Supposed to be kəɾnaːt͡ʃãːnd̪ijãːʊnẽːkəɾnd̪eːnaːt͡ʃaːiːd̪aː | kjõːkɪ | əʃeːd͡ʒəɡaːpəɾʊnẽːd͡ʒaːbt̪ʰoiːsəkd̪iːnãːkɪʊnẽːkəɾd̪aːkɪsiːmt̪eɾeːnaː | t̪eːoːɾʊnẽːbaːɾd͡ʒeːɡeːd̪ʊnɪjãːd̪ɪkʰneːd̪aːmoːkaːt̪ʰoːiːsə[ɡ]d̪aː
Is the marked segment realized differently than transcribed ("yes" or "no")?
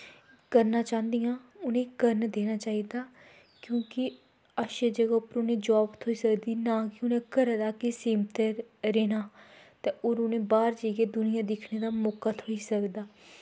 yes